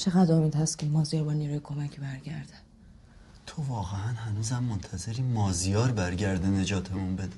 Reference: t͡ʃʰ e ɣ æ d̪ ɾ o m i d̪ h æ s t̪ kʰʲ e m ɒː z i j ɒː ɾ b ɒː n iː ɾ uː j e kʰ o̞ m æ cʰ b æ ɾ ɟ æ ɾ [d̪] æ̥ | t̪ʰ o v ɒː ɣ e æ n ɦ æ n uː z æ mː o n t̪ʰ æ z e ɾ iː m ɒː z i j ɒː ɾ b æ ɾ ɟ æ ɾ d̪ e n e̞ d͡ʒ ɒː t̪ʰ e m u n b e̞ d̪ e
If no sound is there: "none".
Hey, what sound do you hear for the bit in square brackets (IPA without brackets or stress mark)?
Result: d̪